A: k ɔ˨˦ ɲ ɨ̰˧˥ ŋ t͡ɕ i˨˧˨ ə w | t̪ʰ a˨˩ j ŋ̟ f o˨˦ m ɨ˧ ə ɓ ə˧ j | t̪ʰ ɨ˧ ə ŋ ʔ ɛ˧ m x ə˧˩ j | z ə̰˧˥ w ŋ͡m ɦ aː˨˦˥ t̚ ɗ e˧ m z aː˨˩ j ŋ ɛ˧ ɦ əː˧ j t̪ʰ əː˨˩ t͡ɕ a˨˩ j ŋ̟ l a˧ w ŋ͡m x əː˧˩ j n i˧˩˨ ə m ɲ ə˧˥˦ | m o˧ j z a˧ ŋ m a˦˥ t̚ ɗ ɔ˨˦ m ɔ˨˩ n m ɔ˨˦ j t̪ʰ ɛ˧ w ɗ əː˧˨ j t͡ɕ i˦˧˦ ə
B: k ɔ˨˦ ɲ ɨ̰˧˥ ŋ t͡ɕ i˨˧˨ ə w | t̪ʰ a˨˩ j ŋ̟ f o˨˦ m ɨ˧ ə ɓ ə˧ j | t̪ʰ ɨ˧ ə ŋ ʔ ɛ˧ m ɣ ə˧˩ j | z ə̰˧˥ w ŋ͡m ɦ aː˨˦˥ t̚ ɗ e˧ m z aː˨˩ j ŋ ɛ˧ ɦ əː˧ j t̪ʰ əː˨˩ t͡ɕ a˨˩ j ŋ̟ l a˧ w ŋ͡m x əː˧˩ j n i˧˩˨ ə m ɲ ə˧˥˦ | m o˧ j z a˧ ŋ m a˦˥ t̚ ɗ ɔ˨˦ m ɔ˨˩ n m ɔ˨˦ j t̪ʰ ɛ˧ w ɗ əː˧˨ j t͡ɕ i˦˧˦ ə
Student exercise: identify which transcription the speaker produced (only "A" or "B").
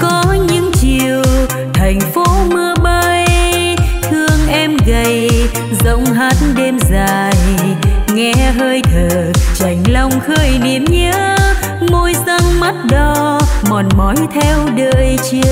B